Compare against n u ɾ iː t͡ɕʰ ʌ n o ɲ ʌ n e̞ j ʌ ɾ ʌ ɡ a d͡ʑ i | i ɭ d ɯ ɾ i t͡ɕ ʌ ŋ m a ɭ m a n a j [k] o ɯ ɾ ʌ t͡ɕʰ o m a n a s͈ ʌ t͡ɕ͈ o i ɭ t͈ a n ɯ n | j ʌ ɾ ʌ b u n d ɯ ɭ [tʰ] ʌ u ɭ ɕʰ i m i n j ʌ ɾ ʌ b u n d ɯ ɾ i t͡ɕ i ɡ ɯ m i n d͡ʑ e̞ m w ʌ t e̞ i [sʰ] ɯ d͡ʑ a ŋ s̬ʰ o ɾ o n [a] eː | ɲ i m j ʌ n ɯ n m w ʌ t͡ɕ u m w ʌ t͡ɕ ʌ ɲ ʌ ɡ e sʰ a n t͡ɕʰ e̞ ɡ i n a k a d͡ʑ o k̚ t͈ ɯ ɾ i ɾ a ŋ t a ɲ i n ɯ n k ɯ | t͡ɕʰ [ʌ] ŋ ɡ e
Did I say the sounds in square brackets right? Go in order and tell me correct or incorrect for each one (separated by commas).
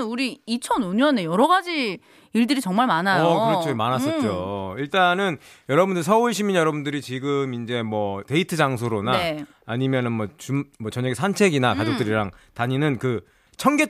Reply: correct, incorrect, incorrect, correct, correct